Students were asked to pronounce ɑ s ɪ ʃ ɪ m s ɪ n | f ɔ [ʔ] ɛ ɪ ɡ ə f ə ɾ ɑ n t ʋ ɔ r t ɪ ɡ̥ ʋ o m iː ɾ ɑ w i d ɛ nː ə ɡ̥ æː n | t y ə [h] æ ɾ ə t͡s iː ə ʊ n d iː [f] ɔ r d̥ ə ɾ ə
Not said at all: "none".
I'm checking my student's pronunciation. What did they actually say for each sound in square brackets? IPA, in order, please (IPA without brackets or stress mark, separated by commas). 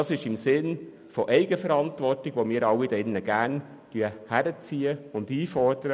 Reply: ʔ, h, f